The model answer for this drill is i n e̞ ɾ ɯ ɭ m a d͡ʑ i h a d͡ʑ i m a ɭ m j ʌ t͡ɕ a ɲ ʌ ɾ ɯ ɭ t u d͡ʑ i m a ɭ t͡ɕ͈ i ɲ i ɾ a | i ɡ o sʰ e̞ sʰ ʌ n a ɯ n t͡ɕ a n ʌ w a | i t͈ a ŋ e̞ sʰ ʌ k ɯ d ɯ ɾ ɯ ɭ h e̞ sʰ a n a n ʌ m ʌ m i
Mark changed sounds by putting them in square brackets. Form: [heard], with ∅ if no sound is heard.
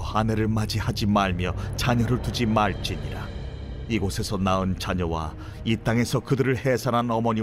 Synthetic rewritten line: [a] n e̞ ɾ ɯ ɭ m a d͡ʑ i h a d͡ʑ i m a ɭ m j ʌ t͡ɕ a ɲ ʌ ɾ ɯ ɭ t u d͡ʑ i m a ɭ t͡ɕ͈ i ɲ i ɾ a | i ɡ o sʰ e̞ sʰ ʌ n a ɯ n t͡ɕ a [ɲ] ʌ w a | i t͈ a ŋ e̞ sʰ ʌ k ɯ d ɯ ɾ ɯ ɭ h e̞ sʰ a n a n ʌ m ʌ [ɲ] i